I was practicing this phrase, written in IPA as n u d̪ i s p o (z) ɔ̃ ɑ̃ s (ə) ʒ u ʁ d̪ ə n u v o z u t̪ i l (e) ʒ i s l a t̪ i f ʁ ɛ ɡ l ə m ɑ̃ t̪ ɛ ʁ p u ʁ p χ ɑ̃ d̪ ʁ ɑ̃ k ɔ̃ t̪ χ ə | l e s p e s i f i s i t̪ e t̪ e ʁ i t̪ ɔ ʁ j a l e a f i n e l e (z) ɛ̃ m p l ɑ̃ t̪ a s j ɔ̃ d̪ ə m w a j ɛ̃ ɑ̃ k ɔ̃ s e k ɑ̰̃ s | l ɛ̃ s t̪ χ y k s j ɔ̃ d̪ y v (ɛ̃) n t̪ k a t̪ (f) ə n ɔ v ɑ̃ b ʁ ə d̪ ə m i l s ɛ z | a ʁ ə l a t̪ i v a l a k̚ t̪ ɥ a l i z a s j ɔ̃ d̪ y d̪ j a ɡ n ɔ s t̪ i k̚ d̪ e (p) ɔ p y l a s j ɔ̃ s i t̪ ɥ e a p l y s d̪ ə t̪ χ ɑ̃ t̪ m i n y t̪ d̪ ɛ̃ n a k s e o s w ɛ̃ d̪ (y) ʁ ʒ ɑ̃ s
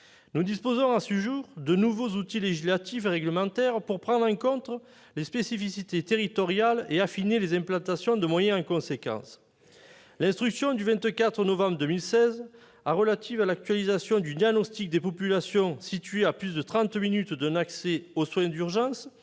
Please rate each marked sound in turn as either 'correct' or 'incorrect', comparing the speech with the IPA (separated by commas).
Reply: correct, correct, correct, correct, correct, incorrect, correct, correct